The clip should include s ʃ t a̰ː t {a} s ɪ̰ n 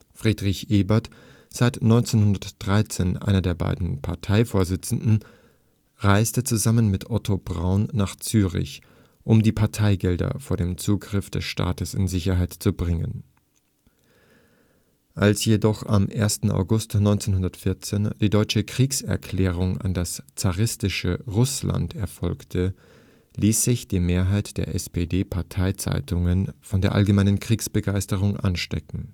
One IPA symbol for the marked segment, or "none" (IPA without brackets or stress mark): ə